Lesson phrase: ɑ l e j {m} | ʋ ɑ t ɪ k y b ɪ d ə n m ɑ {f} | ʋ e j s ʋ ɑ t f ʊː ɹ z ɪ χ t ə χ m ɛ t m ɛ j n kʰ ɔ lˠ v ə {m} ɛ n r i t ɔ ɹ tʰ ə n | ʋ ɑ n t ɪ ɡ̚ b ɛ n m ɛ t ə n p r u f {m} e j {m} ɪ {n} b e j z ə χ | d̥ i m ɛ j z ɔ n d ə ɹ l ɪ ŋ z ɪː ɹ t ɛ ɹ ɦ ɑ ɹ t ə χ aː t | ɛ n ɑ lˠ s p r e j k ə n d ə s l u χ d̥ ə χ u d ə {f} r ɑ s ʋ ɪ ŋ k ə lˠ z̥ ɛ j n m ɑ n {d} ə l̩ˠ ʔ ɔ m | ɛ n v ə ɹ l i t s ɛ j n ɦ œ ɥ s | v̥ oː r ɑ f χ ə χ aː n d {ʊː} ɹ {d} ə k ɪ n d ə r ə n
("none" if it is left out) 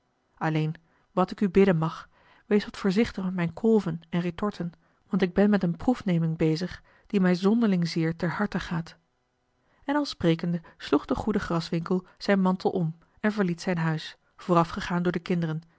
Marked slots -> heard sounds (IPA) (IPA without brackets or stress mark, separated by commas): n, χ, n, n, m, ŋ, χ, t, ʊː, d